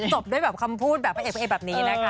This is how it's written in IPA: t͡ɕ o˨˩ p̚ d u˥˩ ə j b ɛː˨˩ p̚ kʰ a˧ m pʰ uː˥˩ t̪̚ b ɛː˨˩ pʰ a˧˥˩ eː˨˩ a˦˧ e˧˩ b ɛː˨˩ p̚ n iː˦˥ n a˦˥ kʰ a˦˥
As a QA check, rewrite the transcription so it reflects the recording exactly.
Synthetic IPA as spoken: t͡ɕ o˨˩ p̚ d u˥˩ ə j b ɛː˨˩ p̚ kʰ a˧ m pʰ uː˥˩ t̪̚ b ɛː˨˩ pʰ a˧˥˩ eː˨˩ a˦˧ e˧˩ b ɛː˨˩ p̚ n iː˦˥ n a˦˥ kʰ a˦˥